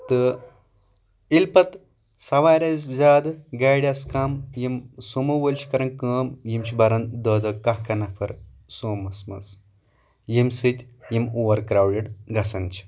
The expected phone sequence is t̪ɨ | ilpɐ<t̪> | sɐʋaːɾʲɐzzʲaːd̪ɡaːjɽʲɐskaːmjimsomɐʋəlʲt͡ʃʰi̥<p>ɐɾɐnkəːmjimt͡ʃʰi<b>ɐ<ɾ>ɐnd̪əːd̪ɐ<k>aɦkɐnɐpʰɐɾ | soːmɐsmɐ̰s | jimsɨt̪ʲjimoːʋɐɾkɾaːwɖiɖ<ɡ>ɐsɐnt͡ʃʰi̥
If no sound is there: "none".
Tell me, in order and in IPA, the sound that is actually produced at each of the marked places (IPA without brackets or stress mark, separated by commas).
t̪, k, b, ɾ, k, ɡ